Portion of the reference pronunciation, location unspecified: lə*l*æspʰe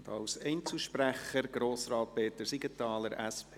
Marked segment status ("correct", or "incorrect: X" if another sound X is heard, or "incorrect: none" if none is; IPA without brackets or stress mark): incorrect: ɾ